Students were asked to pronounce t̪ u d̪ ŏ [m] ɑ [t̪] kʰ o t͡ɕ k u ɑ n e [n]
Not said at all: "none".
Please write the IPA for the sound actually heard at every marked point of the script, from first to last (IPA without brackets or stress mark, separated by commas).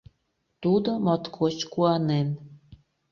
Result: m, t̪, n